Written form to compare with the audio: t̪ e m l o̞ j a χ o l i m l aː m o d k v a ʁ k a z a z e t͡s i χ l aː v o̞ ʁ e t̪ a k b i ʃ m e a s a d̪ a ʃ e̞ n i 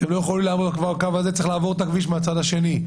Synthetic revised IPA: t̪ e m l o̞ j e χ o l i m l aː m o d k v a ʁ k a v a z e t͡s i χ l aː v o̞ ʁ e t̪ a k v i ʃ m e a t͡s a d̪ a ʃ e̞ n i